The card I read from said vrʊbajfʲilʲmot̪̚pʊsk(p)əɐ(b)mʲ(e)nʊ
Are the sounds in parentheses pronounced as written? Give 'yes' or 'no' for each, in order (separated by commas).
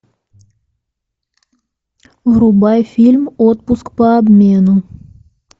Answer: yes, yes, yes